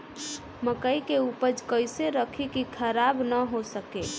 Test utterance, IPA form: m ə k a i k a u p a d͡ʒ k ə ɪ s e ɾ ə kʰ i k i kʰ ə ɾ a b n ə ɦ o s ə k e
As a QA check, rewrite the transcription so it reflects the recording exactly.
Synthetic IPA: m ə k ə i k e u p ə d͡ʒ k ə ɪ s e ɾ ə kʰ i k i kʰ ə ɾ a b n ə ɦ o s ə k e